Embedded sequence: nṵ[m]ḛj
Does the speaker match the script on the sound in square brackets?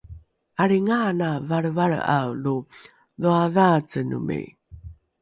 yes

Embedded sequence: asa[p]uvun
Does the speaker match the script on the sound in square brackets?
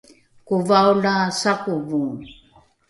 no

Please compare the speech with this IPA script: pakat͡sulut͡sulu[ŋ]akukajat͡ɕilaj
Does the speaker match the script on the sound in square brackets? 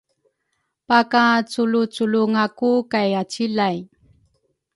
yes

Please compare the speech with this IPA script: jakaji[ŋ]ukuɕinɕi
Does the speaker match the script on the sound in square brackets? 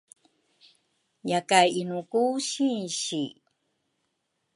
no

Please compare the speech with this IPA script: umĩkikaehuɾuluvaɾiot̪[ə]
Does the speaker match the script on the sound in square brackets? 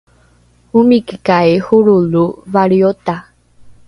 no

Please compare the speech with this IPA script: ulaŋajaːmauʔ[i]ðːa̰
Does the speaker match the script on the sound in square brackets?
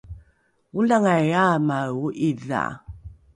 yes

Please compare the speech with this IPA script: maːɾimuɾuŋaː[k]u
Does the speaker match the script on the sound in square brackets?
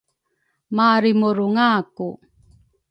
yes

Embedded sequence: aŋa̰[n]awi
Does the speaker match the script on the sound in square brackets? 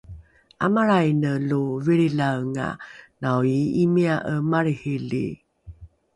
yes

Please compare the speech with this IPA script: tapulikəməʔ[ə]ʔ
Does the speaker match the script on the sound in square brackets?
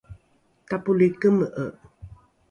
yes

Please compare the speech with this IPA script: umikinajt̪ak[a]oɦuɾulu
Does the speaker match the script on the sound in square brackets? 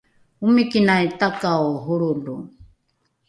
yes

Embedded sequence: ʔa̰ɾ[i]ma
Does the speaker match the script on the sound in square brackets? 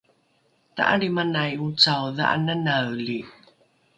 yes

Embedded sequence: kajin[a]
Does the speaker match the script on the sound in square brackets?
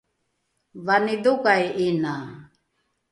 yes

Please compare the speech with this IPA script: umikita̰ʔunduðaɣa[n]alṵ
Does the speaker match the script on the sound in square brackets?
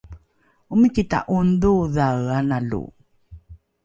yes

